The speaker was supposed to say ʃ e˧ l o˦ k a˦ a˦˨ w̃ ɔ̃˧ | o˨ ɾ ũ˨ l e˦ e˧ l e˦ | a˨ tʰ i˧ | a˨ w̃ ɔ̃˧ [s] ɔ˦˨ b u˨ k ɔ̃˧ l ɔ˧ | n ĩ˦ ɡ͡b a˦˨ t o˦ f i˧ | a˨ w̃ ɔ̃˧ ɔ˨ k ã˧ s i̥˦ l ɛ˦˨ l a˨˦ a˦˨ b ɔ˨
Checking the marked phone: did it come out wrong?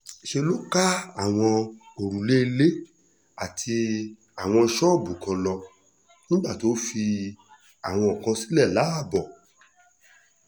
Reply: yes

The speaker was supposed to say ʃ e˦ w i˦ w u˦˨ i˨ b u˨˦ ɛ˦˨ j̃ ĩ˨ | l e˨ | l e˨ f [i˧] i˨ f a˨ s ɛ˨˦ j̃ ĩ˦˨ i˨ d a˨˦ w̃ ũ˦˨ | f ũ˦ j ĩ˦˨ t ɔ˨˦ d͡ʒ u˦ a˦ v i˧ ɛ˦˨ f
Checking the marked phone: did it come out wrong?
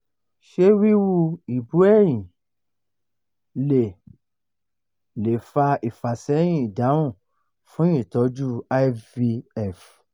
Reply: yes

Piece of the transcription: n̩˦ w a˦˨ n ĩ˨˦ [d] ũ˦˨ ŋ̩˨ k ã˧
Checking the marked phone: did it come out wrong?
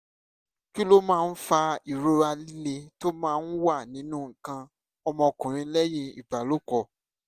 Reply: yes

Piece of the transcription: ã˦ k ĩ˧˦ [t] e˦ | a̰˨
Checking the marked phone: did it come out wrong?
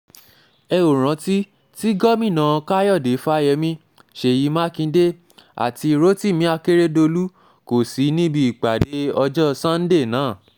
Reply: yes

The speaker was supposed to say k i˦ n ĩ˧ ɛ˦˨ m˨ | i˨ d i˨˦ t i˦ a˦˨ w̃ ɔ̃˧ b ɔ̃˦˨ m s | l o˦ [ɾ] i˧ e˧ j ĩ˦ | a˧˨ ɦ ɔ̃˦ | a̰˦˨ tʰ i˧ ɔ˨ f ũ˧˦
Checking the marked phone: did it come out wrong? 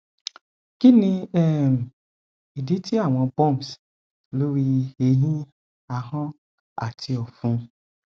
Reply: no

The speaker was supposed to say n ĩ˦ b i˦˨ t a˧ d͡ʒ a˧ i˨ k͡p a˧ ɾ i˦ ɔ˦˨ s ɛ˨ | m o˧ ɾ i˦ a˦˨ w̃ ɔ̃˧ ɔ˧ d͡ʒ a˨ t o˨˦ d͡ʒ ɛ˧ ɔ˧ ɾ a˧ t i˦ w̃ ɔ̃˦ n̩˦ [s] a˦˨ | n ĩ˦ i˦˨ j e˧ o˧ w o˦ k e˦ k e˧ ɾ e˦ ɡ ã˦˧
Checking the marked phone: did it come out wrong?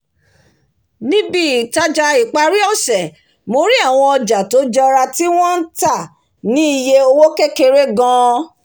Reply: yes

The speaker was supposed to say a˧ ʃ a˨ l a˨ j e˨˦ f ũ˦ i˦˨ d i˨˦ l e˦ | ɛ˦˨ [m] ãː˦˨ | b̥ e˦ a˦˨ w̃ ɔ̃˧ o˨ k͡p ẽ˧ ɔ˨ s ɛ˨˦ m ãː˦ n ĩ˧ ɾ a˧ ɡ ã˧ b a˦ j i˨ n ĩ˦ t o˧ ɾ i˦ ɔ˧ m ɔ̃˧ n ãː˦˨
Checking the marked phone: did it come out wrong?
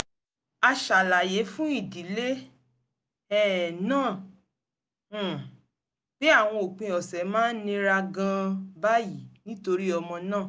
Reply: yes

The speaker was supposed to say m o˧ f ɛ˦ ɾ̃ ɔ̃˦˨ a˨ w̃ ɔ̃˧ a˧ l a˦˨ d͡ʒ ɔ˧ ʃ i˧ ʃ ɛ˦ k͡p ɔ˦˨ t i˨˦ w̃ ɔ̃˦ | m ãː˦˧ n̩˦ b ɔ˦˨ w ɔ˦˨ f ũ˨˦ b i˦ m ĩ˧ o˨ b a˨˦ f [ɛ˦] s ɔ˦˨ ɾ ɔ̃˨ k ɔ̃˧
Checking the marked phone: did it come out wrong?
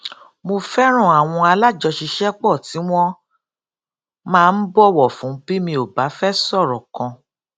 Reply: no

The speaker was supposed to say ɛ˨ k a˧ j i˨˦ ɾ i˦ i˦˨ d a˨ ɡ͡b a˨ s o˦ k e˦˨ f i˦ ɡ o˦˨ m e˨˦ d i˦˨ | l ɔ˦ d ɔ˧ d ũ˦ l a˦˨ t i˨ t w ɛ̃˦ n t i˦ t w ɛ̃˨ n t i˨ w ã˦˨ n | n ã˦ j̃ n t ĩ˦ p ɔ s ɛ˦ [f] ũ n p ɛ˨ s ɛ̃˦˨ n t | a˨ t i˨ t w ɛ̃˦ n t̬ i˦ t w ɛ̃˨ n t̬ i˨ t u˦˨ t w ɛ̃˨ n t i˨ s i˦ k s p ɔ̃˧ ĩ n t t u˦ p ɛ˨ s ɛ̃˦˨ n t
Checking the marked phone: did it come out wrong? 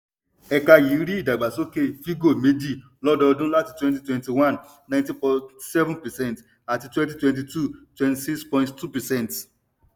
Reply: yes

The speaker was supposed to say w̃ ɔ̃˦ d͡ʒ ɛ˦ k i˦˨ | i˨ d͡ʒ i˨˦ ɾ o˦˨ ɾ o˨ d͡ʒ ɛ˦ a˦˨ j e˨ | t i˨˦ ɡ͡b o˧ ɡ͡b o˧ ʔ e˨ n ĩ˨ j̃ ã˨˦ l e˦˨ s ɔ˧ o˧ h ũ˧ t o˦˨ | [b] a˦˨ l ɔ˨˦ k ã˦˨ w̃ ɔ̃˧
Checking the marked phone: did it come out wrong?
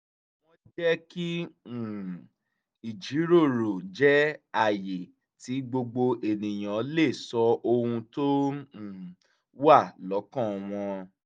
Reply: yes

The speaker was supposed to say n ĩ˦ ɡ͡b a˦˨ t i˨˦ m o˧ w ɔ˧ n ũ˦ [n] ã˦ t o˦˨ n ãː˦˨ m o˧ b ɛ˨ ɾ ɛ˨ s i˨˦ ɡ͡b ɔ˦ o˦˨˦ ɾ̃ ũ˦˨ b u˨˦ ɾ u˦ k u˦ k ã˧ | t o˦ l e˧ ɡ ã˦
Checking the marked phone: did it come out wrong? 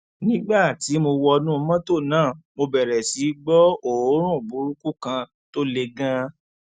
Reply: yes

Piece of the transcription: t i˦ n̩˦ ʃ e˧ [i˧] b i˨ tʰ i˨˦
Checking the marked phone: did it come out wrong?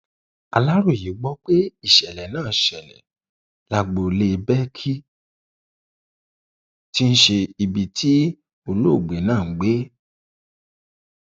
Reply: no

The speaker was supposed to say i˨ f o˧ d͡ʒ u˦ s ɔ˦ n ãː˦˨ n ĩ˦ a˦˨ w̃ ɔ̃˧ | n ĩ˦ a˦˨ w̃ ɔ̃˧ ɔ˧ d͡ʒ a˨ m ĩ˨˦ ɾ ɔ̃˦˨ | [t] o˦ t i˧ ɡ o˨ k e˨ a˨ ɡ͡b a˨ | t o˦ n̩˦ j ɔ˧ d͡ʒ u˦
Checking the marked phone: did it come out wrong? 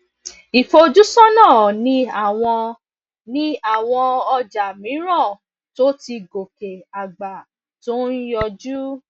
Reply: no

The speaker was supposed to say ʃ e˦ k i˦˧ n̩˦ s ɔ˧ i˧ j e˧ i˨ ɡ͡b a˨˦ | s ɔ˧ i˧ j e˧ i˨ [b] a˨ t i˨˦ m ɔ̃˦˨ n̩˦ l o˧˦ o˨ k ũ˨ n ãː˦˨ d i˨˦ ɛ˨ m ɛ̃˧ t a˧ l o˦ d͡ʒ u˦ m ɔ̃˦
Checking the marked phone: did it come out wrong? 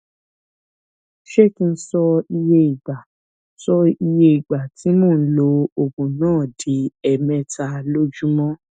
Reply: yes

